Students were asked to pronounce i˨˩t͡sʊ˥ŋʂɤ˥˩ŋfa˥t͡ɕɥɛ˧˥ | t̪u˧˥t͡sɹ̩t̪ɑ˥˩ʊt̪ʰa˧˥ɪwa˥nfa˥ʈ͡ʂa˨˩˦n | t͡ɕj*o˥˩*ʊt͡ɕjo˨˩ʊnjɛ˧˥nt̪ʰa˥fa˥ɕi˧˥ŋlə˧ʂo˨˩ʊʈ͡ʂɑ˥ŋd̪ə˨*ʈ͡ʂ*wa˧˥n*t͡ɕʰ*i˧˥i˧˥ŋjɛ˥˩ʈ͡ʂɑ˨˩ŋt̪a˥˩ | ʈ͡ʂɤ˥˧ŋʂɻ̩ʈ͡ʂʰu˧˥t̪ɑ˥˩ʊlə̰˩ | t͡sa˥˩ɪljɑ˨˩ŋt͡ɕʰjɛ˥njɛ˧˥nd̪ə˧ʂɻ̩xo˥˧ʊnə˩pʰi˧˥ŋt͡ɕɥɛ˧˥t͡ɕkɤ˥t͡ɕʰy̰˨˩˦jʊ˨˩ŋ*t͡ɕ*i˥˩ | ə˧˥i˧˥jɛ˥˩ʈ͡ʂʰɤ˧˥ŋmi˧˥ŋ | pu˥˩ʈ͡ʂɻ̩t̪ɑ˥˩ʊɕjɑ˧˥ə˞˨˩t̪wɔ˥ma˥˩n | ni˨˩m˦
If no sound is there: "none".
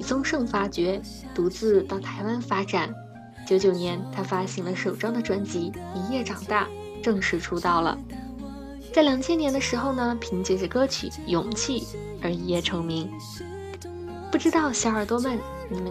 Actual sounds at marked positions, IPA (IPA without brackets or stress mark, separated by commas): o˧˥, ʈ͡ʂ, t͡ɕ, t͡ɕʰ